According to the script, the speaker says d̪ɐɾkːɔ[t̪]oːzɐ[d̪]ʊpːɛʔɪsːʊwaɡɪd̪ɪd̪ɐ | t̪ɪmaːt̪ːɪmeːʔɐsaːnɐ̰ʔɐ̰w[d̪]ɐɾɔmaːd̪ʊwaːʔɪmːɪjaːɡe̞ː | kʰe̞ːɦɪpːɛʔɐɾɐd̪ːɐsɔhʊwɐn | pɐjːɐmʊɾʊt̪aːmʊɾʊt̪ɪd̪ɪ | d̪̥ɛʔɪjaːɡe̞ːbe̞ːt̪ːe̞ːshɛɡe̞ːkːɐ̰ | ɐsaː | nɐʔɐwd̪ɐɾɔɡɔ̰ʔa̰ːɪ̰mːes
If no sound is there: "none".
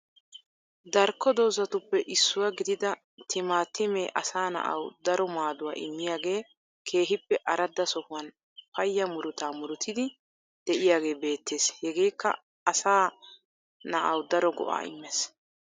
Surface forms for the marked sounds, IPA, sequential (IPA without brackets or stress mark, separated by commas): d̪, t̪, d̪